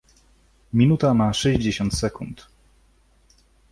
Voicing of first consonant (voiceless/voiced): voiced